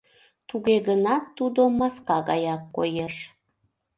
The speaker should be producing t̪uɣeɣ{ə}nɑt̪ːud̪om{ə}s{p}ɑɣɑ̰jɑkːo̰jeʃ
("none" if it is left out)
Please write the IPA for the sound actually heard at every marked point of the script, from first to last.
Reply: ə, ɑ, k

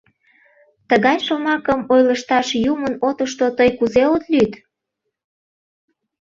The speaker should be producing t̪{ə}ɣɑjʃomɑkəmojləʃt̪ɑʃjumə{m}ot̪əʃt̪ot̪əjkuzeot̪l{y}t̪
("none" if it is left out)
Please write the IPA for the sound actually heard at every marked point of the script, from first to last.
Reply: ə, n, y

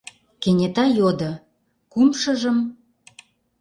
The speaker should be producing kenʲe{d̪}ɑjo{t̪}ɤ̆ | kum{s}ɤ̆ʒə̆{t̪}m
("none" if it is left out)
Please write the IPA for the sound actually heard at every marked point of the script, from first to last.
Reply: t̪, d̪, ʃ, none

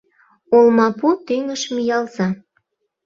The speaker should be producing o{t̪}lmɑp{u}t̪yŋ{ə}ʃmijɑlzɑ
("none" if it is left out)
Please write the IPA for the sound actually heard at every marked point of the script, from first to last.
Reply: none, u, ə

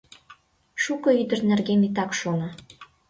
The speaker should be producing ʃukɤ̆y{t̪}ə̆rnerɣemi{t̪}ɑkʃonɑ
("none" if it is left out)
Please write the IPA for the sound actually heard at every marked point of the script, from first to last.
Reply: d̪, t̪

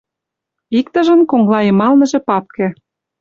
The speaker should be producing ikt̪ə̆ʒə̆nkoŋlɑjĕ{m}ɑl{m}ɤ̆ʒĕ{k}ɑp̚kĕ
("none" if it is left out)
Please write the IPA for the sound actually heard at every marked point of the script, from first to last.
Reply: m, n, p

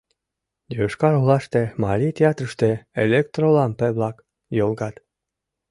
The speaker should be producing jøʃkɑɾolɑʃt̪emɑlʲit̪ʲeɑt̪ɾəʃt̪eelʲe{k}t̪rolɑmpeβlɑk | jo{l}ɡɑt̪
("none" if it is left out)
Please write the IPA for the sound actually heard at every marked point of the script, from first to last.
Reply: k, l

